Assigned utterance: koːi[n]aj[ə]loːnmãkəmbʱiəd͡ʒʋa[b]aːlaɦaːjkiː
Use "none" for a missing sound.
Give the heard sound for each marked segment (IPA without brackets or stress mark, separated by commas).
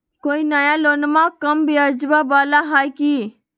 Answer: n, a, b